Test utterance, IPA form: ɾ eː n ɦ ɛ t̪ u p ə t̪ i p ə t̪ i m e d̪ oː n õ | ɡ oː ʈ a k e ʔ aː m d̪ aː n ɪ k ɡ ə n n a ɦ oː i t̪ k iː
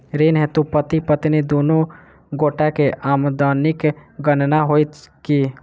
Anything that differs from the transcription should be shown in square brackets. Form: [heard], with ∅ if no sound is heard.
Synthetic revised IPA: ɾ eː n ɦ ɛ t̪ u p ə t̪ i p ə t̪ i [n] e d̪ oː n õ | ɡ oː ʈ a k e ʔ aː m d̪ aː n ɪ k ɡ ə n n a ɦ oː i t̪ k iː

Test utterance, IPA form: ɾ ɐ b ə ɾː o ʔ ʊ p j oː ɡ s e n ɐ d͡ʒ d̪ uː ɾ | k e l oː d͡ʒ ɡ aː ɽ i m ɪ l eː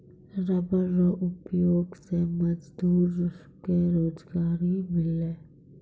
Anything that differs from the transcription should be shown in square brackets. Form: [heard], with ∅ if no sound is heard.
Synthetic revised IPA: ɾ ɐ b ə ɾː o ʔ ʊ p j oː ɡ s e [m] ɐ d͡ʒ d̪ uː ɾ | k e [ɾ] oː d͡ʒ ɡ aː [ɾ] i m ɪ l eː

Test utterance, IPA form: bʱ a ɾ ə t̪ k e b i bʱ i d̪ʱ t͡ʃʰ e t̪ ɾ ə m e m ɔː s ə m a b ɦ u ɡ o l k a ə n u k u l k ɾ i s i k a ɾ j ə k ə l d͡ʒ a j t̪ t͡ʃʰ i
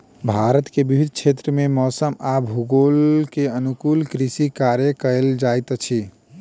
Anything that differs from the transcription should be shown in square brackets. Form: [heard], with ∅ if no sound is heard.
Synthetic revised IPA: bʱ a ɾ ə t̪ k e b i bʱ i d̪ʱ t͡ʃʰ e t̪ ɾ ə m e m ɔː s ə m a b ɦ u ɡ o l k [e] ə n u k u l k ɾ i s i k a ɾ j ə k ə l d͡ʒ a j t̪ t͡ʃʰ i

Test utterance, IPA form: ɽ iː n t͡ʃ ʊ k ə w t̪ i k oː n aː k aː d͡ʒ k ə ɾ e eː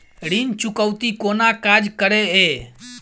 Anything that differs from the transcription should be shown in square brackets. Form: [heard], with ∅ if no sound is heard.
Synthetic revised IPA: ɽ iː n t͡ʃ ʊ k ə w t̪ i k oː n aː k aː d͡ʒ k ə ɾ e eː

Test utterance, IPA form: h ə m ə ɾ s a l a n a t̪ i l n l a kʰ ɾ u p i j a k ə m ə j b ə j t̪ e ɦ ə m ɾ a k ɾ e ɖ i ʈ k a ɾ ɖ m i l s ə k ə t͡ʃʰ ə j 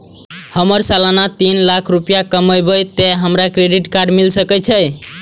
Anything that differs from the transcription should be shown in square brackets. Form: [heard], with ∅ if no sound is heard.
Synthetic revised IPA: h ə m ə ɾ s a l a n a t̪ i [∅] n l a kʰ ɾ u p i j a k ə m ə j b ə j t̪ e ɦ ə m ɾ a k ɾ e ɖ i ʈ k a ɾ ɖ m i l s ə k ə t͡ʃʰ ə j

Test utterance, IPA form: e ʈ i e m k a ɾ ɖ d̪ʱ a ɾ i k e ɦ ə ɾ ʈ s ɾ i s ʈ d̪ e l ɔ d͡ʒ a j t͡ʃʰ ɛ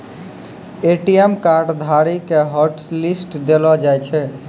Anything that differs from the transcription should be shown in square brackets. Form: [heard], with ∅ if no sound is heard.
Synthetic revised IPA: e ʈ i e m k a ɾ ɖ d̪ʱ a ɾ i k e ɦ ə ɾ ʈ s [l] i s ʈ d̪ e l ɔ d͡ʒ a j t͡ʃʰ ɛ

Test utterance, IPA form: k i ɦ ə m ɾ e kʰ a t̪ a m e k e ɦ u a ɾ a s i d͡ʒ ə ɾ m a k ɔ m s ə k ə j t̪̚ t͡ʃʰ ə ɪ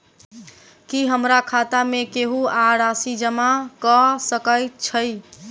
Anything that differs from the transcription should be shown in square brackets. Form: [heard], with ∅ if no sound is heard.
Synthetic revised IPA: k i ɦ ə m ɾ [a] kʰ a t̪ a m e k e ɦ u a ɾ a s i d͡ʒ ə [∅] m a k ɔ [∅] s ə k ə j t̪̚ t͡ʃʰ ə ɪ

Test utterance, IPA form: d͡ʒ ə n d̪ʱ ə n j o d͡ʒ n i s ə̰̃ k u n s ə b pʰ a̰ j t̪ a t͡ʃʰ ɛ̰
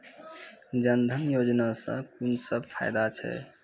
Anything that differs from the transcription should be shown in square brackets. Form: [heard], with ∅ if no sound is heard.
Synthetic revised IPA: d͡ʒ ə n d̪ʱ ə n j o d͡ʒ n [a] s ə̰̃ k u n s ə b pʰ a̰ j [d̪] a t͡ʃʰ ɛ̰

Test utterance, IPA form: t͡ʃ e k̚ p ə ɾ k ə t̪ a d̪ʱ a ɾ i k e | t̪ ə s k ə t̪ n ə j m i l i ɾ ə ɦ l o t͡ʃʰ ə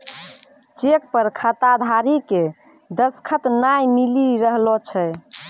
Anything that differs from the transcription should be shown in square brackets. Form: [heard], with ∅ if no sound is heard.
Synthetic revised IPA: t͡ʃ e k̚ p ə ɾ [kʰ] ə t̪ a d̪ʱ a ɾ i k e | [d̪] ə s [kʰ] ə t̪ n [a] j m i l i ɾ ə ɦ l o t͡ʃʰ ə

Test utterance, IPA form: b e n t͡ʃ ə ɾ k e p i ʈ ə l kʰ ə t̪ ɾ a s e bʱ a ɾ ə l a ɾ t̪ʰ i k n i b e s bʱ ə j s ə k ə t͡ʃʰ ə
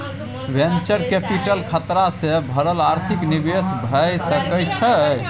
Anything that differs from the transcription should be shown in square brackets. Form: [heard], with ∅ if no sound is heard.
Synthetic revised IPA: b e n t͡ʃ ə ɾ k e p i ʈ ə l kʰ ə t̪ ɾ a s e bʱ [ə] ɾ ə l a ɾ t̪ʰ i k n i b e s bʱ ə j s ə k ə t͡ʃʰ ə

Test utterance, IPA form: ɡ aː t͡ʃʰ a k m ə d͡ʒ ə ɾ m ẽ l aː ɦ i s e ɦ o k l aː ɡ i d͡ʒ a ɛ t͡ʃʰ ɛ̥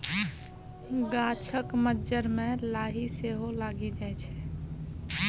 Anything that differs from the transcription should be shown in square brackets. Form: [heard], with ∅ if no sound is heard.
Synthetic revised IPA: ɡ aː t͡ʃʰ [ə] k m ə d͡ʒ ə ɾ m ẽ l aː ɦ i s e ɦ o [∅] l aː ɡ i d͡ʒ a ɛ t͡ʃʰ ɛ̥

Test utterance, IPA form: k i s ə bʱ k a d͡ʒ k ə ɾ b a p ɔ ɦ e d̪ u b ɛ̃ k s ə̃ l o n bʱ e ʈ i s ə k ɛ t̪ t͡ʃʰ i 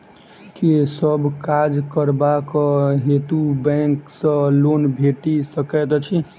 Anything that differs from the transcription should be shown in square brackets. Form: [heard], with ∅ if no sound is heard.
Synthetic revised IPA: k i s ə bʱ k a d͡ʒ k ə ɾ b a [k] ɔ ɦ e [t̪] u b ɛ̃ k s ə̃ l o n bʱ e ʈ i s ə k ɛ t̪ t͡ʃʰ i

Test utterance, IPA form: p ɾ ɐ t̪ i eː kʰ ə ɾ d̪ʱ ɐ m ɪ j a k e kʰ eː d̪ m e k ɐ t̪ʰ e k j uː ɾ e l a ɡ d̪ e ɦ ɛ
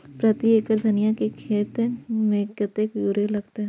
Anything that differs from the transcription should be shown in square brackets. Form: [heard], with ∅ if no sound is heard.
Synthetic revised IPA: p ɾ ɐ t̪ i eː [k] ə ɾ d̪ʱ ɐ [n] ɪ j a k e kʰ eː [t̪] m e k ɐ [t̪] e k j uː ɾ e l [ɐ] ɡ [t̪] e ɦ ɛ

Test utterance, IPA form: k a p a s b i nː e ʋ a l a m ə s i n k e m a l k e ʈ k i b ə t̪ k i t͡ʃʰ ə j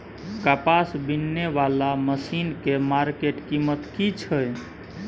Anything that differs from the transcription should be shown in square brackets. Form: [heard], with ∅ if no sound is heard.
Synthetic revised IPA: k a p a s b i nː e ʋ a l a m ə s i n k e m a [ɾ] k e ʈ k i [m] ə t̪ k i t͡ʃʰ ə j

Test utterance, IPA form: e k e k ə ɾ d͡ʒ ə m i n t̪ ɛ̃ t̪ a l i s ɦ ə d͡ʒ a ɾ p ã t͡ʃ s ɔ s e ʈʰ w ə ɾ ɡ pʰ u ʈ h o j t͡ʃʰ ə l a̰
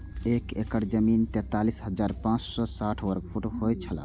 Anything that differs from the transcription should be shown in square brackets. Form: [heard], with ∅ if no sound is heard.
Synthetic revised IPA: e k e k ə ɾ d͡ʒ ə m i n t̪ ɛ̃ t̪ a l i s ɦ ə d͡ʒ a ɾ p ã t͡ʃ s ɔ s [a] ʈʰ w ə ɾ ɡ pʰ u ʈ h o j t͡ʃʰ ə l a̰

